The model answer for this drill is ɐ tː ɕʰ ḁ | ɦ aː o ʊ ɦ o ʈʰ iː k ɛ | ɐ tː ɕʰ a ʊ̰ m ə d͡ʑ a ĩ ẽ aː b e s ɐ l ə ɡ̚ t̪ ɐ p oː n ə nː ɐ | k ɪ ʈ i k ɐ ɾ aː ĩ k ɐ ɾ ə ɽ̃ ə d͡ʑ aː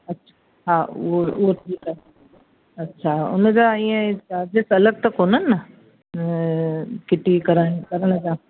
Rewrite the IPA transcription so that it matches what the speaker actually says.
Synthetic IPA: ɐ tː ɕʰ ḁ | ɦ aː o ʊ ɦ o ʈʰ iː k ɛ | ɐ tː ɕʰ a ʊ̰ n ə d͡ʑ a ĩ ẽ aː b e s ɐ l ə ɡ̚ t̪ ɐ k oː n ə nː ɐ | k ɪ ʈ i k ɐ ɾ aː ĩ k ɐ ɾ ə ɽ̃ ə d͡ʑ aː